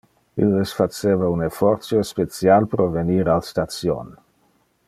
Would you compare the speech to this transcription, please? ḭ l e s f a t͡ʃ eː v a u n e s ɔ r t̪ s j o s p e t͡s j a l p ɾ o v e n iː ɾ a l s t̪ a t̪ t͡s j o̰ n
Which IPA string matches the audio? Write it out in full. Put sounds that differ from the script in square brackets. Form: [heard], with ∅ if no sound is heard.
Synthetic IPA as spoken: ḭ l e s f a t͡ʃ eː v a u n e [f] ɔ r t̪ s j o s p e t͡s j a l p ɾ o v e n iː ɾ a l s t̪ a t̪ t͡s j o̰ n